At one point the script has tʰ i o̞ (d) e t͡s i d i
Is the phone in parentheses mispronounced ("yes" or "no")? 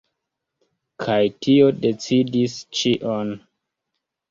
no